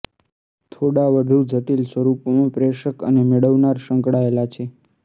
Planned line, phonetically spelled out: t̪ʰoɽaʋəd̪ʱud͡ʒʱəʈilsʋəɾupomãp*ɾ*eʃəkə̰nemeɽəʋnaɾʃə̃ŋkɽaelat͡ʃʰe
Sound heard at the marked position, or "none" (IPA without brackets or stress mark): ɾ